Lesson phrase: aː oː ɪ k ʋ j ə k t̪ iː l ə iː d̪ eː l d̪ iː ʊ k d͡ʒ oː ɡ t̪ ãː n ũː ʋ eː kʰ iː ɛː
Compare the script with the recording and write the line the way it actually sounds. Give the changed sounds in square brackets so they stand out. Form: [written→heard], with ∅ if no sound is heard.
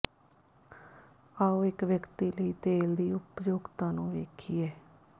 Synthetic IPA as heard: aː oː ɪ k ʋ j ə k t̪ iː l ə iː [d̪→t̪] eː l d̪ iː ʊ [k→p] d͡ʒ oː ɡ t̪ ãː n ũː ʋ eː kʰ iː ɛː